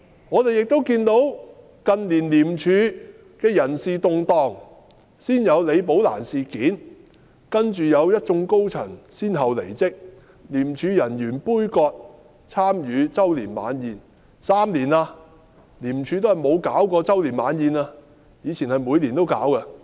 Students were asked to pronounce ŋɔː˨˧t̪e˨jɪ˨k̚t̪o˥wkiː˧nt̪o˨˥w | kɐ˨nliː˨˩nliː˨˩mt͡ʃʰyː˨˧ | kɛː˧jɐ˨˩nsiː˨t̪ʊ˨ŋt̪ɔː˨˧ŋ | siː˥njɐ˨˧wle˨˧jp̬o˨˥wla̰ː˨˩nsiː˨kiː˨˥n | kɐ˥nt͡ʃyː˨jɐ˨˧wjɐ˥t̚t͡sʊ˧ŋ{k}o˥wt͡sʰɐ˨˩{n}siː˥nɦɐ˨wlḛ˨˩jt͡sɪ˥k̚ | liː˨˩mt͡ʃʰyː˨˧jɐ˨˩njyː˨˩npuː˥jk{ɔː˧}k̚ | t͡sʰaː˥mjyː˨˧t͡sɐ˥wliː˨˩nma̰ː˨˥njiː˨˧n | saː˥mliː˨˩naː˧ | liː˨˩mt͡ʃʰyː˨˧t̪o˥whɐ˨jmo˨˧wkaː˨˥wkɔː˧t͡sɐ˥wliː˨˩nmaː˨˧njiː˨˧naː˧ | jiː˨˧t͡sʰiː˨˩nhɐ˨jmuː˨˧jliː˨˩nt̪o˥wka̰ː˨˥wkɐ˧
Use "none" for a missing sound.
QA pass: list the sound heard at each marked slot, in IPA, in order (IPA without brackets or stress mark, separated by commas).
k, ŋ, ɔː˧